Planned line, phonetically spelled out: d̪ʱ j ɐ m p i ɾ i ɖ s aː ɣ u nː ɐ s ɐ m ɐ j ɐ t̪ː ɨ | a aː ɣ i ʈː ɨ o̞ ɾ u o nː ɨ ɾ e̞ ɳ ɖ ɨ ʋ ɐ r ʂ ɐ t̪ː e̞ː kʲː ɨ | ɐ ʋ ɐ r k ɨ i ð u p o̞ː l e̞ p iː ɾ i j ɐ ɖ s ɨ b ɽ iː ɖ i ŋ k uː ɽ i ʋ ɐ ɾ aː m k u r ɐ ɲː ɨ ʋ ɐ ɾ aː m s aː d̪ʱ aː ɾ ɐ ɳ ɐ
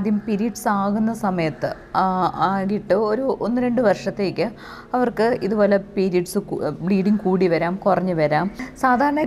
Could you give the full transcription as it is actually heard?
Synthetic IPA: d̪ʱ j ɐ m p i ɾ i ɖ s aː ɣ u nː ɐ s ɐ m ɐ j ɐ t̪ː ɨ | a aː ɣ i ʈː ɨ o̞ ɾ u o nː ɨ ɾ e̞ ɳ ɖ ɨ ʋ ɐ r ʂ ɐ t̪ː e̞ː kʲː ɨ | ɐ ʋ ɐ r k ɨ i ð u b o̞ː l e̞ p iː ɾ i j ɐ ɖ s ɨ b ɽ iː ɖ i ŋ k uː ɽ i ʋ ɐ ɾ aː m k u r ɐ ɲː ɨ ʋ ɐ ɾ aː m s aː d̪ʱ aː ɾ ɐ ɳ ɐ